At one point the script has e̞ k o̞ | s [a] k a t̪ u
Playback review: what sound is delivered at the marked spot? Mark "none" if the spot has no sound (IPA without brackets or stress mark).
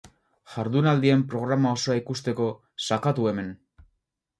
a